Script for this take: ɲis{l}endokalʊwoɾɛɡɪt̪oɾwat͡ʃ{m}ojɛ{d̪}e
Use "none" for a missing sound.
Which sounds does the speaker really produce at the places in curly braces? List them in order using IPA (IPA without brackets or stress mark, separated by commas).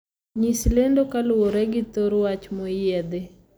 l, m, d̪